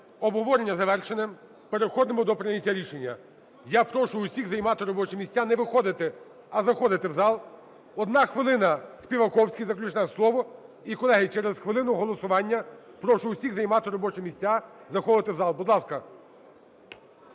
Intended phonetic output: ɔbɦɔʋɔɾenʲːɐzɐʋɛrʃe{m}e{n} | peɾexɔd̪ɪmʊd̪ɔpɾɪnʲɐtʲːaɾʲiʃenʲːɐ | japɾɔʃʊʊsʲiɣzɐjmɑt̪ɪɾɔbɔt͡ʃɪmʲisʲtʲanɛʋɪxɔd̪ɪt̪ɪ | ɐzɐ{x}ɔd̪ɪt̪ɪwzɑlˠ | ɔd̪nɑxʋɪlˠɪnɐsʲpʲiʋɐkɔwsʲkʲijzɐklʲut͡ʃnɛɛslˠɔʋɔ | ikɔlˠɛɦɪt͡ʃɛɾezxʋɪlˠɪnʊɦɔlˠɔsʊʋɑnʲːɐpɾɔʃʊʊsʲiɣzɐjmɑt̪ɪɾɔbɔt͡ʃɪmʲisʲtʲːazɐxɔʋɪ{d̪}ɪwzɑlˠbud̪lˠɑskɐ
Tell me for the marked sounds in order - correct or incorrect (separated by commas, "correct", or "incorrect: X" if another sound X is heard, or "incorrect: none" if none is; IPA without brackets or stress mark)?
incorrect: n, incorrect: m, correct, incorrect: t̪